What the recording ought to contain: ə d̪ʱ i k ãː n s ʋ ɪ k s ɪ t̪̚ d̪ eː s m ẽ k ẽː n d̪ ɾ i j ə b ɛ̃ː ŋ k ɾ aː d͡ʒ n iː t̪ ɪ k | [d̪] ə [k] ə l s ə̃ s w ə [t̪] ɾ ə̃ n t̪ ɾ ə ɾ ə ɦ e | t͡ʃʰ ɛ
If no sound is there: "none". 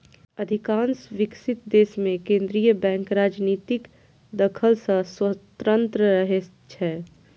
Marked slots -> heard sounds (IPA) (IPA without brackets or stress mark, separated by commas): d̪, kʰ, t̪